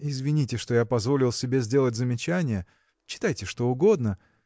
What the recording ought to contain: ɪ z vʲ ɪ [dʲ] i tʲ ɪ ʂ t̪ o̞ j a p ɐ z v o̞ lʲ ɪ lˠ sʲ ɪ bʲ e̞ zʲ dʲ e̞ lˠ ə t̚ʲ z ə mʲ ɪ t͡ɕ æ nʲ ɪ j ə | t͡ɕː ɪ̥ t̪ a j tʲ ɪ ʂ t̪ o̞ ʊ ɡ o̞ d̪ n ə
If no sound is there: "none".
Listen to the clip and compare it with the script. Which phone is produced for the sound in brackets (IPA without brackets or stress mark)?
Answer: nʲ